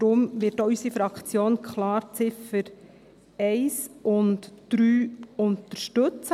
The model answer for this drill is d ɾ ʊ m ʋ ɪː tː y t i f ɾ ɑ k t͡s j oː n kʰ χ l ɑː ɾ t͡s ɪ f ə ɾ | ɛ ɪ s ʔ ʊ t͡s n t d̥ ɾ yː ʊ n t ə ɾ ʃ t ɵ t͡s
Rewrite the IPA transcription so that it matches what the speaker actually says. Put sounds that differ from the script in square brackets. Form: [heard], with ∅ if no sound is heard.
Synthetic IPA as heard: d ɾ ʊ m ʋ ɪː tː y [s] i f ɾ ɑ k t͡s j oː n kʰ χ l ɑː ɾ t͡s ɪ f ə ɾ | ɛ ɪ s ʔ ʊ [∅] n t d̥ ɾ yː ʊ n t ə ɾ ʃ t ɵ t͡s